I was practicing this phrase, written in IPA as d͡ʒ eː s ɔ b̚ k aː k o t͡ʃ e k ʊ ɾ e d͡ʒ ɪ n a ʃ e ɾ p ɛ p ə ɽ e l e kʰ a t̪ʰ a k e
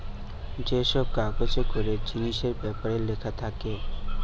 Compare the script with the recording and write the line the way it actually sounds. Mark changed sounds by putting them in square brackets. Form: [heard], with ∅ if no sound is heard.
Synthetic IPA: d͡ʒ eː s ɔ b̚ k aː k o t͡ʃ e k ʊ ɾ e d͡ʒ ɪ n [i] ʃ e ɾ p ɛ p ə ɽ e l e kʰ a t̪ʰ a k e